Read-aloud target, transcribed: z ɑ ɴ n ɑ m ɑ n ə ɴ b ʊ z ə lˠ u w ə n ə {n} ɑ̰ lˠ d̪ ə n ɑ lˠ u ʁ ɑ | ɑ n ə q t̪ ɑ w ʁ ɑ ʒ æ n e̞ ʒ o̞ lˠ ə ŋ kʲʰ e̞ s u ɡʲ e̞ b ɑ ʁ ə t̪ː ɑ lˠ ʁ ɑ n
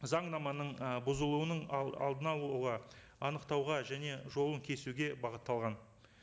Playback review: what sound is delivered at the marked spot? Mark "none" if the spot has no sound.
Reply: ɴ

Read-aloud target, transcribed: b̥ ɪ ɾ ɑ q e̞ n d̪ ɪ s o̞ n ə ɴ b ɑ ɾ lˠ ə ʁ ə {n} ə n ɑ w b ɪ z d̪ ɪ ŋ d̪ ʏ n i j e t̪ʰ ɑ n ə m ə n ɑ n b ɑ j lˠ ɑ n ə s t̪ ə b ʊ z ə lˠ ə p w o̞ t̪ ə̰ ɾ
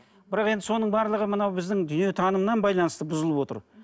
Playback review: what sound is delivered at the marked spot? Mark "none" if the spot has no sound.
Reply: m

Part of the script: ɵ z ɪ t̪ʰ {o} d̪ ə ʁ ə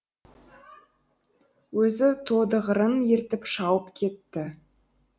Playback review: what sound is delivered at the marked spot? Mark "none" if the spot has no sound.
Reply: o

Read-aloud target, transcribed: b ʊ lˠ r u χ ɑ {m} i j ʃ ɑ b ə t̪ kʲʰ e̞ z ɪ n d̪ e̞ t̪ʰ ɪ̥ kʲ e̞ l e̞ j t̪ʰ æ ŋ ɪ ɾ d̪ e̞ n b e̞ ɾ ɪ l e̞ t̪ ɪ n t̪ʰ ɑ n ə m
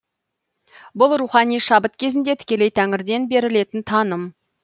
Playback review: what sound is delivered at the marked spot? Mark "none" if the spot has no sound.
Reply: n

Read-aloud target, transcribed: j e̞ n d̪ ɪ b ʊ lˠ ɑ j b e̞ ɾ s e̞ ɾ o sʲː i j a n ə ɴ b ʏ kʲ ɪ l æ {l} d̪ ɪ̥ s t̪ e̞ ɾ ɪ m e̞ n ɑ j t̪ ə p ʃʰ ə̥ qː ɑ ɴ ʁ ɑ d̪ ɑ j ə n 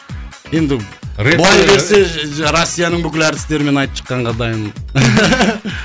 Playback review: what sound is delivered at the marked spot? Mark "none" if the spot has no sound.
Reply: ɾ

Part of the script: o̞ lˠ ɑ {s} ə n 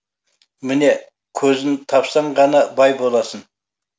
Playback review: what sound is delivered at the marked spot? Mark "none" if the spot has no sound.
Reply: s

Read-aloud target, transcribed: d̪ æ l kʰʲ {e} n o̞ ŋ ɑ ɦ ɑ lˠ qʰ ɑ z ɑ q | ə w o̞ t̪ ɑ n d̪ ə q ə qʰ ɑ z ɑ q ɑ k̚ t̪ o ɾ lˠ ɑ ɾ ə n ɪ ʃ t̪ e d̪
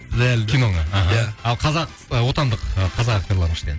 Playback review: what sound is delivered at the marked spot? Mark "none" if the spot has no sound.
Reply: i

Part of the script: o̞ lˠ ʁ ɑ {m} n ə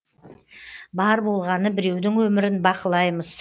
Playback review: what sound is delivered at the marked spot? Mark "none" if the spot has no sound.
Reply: none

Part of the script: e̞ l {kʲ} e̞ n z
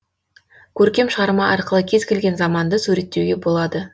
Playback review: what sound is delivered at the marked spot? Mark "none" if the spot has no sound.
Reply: ɡʲ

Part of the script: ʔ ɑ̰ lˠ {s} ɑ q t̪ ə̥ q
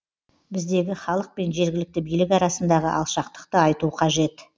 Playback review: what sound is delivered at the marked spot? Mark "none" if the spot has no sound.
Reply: ʃ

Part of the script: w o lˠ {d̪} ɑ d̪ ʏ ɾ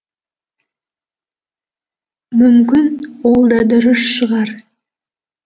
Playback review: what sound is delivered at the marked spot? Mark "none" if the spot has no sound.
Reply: d̪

